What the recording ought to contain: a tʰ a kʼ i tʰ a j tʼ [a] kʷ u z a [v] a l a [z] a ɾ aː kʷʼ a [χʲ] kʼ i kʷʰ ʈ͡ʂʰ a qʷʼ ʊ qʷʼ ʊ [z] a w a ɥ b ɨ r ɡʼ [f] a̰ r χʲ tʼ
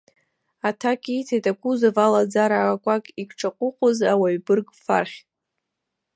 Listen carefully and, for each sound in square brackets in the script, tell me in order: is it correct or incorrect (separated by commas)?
correct, correct, incorrect, incorrect, correct, correct